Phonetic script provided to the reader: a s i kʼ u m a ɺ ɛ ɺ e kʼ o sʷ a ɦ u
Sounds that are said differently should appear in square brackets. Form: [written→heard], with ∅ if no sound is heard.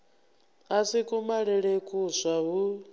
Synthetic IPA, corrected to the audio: a s i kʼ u m a ɺ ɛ ɺ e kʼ [o→u] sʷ a ɦ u